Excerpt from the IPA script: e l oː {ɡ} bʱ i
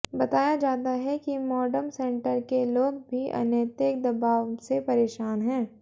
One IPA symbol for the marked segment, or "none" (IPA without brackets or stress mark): ɡ